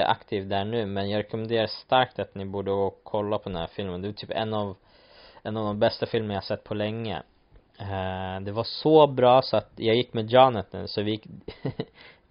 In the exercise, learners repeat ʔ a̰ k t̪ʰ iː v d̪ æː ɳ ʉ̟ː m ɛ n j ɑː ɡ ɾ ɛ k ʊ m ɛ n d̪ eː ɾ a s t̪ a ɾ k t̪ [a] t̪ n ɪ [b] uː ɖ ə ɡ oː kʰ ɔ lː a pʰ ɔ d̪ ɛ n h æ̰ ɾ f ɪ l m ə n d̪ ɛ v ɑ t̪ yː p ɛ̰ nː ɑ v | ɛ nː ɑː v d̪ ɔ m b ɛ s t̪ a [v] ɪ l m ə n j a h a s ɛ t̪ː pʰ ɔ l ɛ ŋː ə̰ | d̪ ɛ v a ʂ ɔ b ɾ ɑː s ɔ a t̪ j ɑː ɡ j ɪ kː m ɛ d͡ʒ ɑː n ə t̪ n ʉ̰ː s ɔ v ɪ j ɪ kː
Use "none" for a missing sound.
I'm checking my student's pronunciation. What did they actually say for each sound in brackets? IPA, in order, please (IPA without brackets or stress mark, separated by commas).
a, b, f